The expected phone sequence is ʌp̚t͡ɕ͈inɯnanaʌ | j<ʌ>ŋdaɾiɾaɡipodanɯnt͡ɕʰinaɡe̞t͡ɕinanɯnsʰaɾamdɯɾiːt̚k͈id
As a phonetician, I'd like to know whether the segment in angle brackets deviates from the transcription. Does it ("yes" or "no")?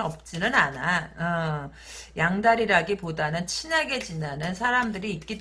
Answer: yes